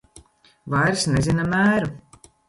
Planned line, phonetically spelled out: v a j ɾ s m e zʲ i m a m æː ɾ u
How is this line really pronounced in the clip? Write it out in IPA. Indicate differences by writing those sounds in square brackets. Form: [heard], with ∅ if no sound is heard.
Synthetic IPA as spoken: v a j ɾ s [n] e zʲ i [n] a m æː ɾ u